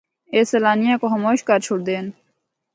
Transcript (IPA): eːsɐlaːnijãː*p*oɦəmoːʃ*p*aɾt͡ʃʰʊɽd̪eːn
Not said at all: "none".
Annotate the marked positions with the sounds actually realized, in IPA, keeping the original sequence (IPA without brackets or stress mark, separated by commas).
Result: k, k